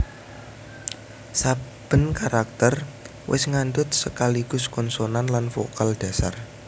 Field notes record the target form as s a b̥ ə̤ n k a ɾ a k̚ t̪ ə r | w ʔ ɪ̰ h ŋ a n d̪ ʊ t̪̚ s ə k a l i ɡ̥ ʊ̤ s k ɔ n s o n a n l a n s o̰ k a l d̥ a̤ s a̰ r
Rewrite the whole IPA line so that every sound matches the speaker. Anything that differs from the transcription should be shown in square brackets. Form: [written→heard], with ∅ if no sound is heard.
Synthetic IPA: s a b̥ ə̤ n k a ɾ a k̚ t̪ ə r | w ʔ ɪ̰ [h→s] ŋ a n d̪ ʊ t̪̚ s ə k a l i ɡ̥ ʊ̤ s k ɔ n s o n a n l a n [s→f] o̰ k a l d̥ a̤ s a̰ r